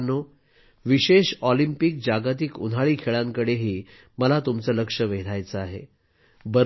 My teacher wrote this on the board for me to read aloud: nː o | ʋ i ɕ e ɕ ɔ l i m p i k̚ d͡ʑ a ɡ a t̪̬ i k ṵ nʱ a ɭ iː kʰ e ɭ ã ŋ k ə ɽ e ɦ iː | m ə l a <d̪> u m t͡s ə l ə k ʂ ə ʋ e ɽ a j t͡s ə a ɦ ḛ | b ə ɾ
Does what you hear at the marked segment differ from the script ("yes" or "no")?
yes